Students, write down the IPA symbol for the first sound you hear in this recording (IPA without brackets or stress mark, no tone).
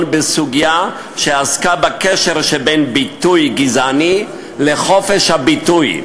n